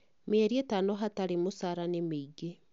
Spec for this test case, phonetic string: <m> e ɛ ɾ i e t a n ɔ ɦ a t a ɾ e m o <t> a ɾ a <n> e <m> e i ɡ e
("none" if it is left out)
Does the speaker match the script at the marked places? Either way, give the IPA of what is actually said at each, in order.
m, s, n, m

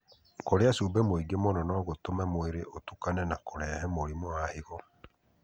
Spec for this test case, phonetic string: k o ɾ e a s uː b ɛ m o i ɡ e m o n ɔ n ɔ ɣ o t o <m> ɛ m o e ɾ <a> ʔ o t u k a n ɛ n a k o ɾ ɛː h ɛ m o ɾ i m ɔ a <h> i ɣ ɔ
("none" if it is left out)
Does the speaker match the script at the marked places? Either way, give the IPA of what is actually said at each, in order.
m, e, h

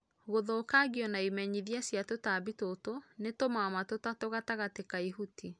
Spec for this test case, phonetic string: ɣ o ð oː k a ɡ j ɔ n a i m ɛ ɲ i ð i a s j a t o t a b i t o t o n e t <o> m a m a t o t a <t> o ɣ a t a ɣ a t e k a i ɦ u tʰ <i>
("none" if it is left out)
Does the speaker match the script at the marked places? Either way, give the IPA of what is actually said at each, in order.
o, t, i

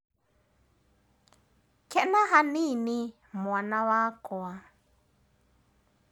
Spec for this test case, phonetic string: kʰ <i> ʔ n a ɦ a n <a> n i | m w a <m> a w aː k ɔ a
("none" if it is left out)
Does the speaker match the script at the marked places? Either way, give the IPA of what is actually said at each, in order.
ɛ, i, n

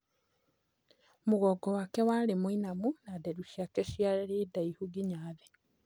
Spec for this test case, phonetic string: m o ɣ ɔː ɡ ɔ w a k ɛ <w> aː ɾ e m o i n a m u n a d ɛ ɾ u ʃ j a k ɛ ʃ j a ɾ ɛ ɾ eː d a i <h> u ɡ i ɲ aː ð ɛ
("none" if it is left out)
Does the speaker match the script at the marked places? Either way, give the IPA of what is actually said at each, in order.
w, h

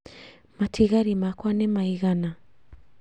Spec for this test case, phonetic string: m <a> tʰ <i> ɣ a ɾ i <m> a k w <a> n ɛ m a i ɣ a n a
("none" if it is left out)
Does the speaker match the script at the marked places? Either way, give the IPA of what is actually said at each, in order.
a, i, m, a

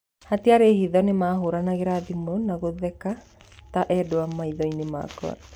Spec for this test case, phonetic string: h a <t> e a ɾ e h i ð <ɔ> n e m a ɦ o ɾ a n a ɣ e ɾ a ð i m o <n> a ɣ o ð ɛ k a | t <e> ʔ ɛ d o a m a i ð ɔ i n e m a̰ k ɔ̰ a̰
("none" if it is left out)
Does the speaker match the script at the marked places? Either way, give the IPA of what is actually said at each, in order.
t, ɔ, n, a

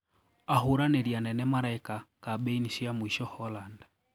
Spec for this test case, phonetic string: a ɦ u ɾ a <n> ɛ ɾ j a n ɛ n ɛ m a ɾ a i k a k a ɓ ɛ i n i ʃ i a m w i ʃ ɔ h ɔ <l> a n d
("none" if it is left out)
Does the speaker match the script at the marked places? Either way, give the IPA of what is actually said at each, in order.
n, l

